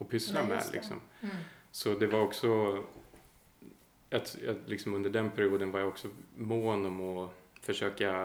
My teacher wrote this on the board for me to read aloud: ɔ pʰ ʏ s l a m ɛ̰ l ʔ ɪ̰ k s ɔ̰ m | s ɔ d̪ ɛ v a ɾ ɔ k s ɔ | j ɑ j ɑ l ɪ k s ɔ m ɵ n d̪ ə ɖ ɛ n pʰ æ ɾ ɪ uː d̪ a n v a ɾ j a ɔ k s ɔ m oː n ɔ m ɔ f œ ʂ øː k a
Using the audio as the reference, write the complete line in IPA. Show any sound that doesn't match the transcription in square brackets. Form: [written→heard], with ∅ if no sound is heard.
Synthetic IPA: ɔ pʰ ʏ s l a m ɛ̰ l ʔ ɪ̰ k s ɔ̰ m | s ɔ d̪ ɛ v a ɾ ɔ k s ɔ | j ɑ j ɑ l ɪ k s ɔ m ɵ n d̪ ə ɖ ɛ n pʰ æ ɾ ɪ uː d̪ [a→ə] n v a ɾ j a ɔ k s ɔ m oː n ɔ m ɔ f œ ʂ øː k a